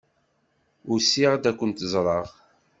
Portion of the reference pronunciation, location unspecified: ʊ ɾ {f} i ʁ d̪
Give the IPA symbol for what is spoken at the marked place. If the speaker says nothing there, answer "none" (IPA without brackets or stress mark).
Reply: s